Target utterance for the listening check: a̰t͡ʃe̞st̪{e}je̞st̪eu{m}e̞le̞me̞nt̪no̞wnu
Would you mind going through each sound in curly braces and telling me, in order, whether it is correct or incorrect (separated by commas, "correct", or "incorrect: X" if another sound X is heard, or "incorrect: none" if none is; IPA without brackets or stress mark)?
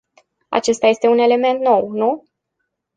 incorrect: a, incorrect: n